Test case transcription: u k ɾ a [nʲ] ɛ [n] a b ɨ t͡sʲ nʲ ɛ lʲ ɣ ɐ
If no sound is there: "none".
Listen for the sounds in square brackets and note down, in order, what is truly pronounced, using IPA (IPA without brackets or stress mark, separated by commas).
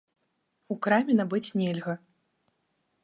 mʲ, n